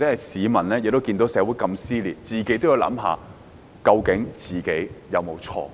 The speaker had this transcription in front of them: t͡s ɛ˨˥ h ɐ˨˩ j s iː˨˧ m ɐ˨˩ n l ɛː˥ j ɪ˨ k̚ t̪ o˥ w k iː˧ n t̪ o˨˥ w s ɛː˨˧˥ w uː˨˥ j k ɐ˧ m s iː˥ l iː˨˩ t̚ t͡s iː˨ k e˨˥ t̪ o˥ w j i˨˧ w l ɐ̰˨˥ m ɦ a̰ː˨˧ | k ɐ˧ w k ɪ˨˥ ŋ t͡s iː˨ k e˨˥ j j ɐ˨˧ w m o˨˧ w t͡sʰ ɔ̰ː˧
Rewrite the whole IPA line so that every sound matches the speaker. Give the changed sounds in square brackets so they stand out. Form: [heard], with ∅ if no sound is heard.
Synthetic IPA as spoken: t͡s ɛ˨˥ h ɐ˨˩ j s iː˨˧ m ɐ˨˩ n l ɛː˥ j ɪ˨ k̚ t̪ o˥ w k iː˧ n t̪ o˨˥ w s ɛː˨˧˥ w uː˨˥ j k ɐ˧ m s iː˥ l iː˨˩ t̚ t͡s iː˨ k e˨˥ t̪ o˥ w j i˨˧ w l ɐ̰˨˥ m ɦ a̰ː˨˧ | k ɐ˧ w k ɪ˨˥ ŋ t͡s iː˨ k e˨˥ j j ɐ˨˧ w m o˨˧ w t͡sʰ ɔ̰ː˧